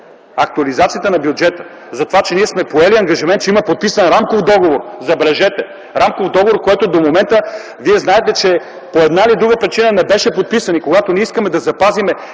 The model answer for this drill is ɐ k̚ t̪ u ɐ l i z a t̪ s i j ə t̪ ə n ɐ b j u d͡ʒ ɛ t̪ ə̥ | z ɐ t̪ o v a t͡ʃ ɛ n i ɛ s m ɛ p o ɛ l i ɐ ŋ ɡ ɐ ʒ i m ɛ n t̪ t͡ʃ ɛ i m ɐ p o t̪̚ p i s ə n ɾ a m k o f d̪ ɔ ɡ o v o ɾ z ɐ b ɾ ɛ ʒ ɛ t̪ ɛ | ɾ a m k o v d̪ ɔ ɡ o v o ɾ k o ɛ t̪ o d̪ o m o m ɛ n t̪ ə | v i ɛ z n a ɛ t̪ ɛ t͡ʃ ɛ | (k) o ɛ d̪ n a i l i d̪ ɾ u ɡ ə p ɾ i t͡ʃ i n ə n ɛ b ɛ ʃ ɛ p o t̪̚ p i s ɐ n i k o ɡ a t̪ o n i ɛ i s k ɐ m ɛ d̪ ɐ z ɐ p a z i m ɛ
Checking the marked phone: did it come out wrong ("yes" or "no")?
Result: yes